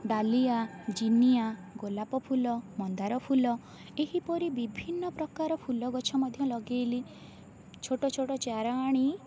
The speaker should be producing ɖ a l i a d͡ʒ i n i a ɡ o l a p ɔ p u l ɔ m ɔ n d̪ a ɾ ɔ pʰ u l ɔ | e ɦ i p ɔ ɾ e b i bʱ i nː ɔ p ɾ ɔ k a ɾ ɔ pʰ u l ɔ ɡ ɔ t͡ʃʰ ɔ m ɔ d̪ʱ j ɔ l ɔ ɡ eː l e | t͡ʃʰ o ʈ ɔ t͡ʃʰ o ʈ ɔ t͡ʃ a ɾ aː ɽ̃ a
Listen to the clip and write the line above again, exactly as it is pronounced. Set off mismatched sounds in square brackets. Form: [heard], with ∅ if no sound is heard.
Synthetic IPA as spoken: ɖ a l i a d͡ʒ i n i a ɡ o l a p ɔ [pʰ] u l ɔ m ɔ n d̪ a ɾ ɔ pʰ u l ɔ | e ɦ i p ɔ ɾ [i] b i bʱ i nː ɔ p ɾ ɔ k a ɾ ɔ pʰ u l ɔ ɡ ɔ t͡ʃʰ ɔ m ɔ d̪ʱ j ɔ l ɔ ɡ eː l [i] | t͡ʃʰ o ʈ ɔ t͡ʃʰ o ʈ ɔ t͡ʃ a ɾ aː ɽ̃ [i]